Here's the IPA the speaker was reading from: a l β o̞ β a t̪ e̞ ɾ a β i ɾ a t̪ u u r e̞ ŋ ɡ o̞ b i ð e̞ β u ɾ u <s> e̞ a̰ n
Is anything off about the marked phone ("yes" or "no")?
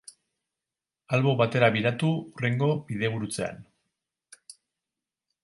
yes